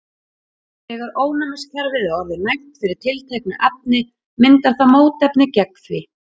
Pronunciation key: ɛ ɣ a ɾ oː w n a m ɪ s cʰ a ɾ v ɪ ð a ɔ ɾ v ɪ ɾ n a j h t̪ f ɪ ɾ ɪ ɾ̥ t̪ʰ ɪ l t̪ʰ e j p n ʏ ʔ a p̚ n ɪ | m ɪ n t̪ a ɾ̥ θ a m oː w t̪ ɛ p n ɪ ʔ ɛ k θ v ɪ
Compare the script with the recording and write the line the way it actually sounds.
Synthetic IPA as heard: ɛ ɣ a ɾ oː w n a m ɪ s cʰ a ɾ v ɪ ð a ɔ ɾ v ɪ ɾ n a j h t̪ f ɪ ɾ ɪ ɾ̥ t̪ʰ ɪ l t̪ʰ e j k n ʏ ʔ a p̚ n ɪ | m ɪ n t̪ a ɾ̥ θ a m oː w t̪ ɛ p n ɪ c ɛ k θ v ɪ